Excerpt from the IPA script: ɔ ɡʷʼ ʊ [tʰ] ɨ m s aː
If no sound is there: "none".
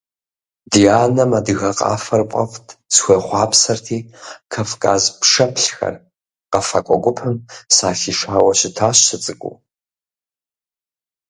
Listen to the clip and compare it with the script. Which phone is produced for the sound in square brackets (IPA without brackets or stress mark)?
pʰ